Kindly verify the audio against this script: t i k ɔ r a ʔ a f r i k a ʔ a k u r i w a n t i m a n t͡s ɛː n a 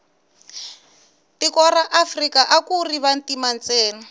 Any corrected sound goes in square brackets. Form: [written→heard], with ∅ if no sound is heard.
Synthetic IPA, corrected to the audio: t i k ɔ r a ʔ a f r i k a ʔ a k u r i [w→β] a n t i m a n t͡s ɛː n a